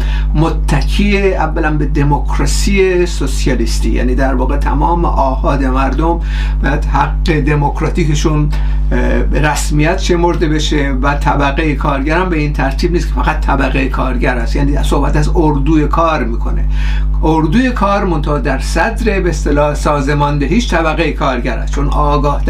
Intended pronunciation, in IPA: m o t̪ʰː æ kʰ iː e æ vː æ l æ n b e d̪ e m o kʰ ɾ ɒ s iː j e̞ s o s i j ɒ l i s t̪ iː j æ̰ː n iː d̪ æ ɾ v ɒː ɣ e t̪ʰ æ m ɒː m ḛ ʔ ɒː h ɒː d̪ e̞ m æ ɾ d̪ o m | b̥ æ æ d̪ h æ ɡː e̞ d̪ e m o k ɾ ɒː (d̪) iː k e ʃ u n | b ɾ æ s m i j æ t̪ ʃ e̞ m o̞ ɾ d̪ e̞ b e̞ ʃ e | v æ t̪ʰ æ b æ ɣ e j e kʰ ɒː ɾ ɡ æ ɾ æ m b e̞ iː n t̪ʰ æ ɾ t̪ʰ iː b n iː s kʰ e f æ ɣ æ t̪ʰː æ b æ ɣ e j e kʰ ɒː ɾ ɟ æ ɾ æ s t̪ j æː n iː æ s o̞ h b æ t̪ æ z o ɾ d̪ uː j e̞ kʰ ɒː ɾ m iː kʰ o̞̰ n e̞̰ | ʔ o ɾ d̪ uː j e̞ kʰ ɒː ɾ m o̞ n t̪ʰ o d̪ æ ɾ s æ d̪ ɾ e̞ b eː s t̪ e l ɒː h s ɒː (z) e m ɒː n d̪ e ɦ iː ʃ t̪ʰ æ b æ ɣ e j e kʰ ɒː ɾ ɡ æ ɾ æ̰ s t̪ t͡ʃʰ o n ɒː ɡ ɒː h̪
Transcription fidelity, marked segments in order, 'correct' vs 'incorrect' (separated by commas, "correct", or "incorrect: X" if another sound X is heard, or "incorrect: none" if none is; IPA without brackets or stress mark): incorrect: t̪, correct